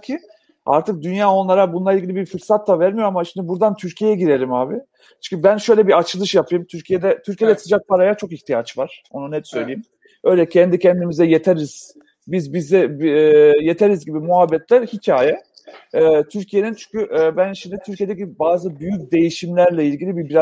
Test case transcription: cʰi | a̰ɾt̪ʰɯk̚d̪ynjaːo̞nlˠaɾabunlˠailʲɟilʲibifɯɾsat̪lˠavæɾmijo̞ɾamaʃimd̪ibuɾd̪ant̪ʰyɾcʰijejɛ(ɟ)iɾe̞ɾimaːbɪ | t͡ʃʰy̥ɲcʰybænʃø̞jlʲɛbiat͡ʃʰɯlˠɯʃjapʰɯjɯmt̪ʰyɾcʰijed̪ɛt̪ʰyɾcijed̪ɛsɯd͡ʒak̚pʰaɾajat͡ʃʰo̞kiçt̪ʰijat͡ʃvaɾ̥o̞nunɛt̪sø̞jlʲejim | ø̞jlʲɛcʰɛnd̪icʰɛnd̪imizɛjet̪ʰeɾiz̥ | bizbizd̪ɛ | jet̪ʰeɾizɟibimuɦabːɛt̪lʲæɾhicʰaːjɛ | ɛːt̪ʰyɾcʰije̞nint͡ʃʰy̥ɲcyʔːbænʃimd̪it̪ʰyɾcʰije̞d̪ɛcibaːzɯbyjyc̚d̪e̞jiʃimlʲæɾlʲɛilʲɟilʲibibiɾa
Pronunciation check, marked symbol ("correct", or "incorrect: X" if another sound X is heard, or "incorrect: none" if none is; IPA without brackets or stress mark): correct